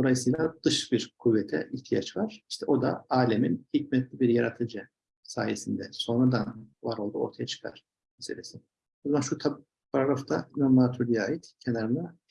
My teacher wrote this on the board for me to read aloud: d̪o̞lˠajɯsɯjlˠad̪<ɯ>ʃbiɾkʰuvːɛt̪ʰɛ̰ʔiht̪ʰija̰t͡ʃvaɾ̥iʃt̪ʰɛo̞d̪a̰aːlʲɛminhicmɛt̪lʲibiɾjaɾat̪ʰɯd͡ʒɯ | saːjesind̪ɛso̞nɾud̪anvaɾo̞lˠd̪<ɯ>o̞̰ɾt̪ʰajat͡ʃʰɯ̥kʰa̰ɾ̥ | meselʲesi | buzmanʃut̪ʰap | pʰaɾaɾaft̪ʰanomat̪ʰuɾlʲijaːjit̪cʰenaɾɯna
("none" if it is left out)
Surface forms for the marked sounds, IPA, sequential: ɯ, u

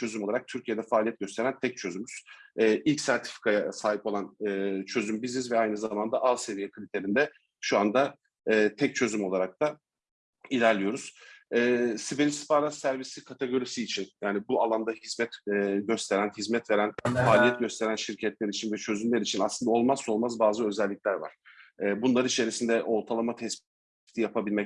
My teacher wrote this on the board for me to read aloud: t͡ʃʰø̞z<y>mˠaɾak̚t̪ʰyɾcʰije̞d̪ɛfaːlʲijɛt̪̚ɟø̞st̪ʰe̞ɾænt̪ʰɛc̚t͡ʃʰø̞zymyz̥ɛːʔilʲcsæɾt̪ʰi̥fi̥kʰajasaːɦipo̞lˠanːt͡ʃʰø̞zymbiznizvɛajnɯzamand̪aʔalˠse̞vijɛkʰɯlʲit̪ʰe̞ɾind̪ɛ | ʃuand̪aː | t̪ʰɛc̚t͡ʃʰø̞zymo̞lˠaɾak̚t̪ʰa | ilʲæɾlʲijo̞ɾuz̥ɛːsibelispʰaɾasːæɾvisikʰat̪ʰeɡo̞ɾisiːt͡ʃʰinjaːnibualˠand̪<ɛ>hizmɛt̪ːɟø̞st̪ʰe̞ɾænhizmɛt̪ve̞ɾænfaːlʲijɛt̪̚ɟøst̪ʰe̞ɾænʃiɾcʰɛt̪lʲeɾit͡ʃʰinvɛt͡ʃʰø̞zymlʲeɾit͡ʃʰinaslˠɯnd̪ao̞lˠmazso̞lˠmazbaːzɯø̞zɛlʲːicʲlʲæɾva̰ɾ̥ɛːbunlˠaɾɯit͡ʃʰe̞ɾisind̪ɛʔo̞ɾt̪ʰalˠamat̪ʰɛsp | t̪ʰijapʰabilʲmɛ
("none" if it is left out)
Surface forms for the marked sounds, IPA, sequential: y, a

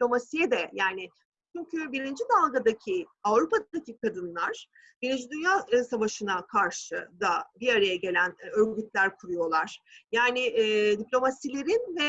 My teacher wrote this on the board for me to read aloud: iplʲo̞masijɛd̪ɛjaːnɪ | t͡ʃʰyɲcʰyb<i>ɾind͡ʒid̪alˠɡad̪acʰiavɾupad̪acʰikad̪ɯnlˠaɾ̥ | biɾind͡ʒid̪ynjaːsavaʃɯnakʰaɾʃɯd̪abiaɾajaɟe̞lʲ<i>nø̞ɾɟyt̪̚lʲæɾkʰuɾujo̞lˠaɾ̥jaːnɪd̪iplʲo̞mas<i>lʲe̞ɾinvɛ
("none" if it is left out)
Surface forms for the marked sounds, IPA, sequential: i, æ, i

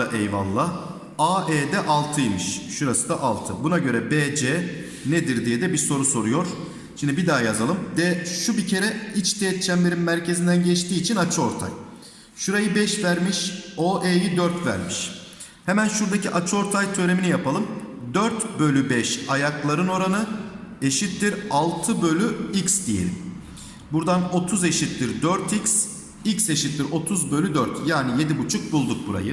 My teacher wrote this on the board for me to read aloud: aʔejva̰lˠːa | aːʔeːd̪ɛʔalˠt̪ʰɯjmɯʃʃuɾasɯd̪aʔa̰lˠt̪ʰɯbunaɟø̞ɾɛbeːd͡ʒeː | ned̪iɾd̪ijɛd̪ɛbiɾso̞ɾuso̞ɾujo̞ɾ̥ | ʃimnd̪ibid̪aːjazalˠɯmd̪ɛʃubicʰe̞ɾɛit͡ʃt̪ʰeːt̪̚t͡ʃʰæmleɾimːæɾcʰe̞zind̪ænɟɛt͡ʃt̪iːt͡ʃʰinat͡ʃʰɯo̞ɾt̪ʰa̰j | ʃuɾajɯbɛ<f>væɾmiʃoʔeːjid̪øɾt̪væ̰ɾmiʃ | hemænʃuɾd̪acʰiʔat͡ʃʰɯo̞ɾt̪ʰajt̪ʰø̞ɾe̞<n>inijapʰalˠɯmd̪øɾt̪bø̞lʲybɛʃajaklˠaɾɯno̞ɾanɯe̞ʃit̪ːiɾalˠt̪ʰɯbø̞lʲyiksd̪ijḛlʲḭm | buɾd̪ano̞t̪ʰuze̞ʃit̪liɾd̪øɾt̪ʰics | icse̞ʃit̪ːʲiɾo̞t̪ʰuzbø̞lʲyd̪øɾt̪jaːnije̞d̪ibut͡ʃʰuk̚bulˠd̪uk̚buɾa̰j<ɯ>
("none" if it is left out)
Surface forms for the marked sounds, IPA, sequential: ʃ, m, ɯ

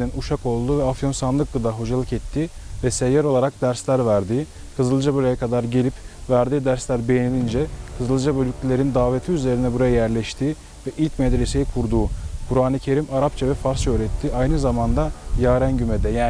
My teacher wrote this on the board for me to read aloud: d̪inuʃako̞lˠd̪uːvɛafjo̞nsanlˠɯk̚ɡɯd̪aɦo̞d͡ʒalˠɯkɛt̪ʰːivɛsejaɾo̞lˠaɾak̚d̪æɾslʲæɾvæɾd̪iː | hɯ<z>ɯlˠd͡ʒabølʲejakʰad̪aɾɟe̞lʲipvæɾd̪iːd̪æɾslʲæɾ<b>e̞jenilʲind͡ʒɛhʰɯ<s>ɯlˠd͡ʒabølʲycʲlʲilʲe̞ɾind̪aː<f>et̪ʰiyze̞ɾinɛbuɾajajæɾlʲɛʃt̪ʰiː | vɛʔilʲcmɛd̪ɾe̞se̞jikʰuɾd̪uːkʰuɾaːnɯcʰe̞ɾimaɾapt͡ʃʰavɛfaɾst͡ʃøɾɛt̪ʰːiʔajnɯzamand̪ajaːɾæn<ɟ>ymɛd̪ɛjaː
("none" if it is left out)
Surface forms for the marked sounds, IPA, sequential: z, b, z, v, ɟ

